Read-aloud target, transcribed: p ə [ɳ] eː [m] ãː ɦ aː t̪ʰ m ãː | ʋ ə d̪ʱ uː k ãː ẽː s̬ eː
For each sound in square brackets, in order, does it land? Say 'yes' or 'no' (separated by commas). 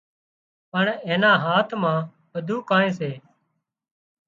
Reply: yes, no